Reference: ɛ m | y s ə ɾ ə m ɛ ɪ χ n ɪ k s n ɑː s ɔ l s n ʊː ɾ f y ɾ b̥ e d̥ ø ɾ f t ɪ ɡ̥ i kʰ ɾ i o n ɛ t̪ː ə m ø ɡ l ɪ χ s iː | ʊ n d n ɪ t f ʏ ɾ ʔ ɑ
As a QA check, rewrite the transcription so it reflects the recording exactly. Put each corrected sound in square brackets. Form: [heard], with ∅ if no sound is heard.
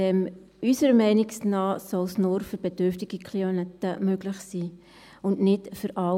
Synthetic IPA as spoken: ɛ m | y s ə ɾ ə m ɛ ɪ [∅] n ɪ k s n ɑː s ɔ l s n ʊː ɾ f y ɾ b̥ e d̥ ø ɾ f t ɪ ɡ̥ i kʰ [l] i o n ɛ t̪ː ə m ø ɡ l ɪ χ s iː | ʊ n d n ɪ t f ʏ ɾ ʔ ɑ